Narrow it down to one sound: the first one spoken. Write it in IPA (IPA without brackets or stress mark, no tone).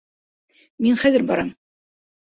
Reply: m